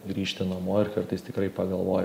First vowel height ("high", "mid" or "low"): high